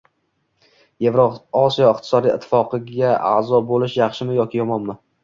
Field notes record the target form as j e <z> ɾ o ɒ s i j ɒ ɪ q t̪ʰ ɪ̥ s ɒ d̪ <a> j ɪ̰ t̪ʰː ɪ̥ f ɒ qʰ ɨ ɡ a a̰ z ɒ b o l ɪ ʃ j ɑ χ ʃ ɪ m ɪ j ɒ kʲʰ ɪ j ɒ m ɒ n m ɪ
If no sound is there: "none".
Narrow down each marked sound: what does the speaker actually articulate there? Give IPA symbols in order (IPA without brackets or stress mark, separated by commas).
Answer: v, i